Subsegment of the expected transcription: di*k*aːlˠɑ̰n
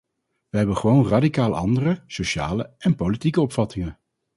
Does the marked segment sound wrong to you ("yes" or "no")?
no